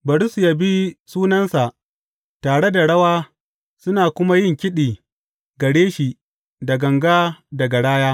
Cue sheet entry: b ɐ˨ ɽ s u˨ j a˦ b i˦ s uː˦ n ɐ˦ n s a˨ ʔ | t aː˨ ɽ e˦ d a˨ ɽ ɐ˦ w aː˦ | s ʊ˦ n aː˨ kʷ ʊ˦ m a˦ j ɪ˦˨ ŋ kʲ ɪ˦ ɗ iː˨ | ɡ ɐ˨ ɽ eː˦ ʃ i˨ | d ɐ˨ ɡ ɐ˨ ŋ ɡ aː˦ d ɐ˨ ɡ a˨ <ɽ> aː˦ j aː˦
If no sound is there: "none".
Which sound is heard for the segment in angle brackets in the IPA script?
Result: ɽ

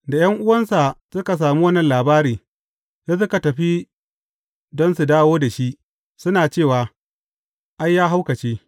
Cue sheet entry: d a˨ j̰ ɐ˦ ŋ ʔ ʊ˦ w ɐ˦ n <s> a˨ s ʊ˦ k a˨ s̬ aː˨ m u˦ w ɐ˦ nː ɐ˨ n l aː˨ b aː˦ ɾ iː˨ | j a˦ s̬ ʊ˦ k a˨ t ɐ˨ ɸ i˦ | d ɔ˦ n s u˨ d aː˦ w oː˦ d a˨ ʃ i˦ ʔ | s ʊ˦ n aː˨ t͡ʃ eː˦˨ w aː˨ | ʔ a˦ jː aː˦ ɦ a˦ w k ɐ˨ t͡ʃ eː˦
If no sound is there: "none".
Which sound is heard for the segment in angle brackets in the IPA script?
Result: s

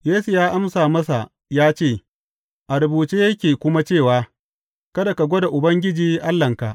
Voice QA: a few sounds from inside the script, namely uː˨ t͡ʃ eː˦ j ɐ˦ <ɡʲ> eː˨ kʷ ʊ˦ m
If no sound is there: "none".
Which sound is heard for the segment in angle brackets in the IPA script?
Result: kʲ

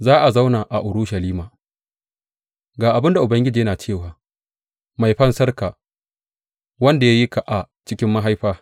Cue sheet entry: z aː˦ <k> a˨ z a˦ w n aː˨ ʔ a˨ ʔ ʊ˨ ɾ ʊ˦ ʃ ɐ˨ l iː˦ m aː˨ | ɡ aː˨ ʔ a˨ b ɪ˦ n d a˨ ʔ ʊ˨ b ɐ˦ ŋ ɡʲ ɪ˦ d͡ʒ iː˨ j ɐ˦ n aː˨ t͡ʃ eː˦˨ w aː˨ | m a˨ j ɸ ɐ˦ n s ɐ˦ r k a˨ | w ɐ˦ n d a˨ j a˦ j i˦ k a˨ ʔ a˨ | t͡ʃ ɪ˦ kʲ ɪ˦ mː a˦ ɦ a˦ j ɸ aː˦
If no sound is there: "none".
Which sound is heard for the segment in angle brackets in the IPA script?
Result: ʔ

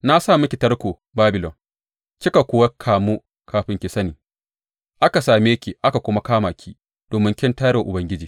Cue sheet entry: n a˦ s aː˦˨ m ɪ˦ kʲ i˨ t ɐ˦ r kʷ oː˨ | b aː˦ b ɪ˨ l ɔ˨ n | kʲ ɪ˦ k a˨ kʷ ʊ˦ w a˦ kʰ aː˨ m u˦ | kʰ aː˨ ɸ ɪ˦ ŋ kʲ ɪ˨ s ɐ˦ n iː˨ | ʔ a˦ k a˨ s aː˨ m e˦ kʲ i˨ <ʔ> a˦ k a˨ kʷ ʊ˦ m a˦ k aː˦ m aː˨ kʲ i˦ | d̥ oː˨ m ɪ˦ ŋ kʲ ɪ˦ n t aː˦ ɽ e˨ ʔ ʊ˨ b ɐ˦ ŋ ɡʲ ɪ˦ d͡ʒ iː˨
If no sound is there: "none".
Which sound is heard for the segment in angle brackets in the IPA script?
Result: ʔ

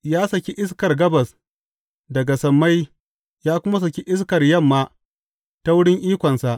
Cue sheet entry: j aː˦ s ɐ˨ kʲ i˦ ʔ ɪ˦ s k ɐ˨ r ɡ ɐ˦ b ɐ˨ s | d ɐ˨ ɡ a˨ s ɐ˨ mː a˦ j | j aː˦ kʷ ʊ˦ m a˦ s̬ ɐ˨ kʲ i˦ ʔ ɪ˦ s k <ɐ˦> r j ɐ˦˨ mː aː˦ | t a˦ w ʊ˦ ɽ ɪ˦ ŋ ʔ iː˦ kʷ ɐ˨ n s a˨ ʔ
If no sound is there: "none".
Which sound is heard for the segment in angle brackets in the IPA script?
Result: ɐ˨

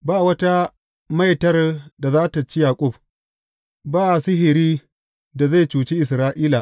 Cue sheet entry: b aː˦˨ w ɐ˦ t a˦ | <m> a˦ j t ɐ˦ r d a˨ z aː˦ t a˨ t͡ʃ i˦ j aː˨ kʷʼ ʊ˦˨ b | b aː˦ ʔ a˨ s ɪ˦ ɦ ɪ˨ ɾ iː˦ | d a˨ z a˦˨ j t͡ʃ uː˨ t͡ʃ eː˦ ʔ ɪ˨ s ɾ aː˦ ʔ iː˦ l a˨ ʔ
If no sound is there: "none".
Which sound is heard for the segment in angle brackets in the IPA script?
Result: m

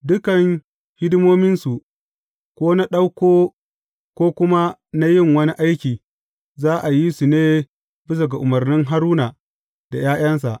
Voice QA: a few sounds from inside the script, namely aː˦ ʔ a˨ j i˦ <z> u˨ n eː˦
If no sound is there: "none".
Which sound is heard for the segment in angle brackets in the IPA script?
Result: s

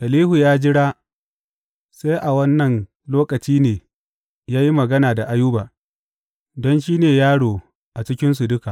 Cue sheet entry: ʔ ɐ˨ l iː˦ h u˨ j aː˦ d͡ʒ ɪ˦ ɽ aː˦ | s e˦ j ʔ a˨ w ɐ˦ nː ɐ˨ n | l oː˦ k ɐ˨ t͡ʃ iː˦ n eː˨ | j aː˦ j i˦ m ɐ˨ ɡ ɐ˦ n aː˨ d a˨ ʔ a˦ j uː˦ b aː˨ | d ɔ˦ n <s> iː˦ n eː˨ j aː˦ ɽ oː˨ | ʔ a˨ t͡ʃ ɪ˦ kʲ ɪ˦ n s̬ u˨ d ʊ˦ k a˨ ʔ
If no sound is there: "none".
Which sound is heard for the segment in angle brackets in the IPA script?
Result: ʃ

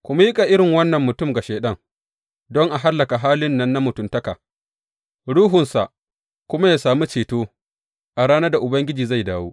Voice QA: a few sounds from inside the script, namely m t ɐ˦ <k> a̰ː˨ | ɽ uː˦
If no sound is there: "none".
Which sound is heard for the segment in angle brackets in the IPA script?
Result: k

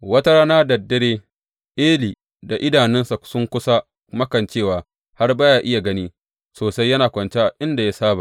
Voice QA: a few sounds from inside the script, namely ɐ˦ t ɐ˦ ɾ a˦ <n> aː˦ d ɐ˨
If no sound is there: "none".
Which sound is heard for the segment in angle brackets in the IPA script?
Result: n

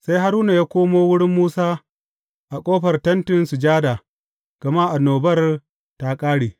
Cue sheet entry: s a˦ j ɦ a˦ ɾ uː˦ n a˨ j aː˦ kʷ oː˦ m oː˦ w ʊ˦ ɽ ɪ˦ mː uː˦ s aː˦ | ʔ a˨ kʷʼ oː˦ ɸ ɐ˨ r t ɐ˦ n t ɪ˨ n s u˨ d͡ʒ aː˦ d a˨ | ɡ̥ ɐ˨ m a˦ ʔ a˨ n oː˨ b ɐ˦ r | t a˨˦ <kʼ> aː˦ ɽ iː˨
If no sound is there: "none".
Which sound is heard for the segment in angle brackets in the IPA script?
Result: kʼ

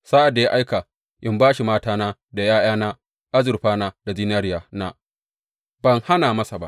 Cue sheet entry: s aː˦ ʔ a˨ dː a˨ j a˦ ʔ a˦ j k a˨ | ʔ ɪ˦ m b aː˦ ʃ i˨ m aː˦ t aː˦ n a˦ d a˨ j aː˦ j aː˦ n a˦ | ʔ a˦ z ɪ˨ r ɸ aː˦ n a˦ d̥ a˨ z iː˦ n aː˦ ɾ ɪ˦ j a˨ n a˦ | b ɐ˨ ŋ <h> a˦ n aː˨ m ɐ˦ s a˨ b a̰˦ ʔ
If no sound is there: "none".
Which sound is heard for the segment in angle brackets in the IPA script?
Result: h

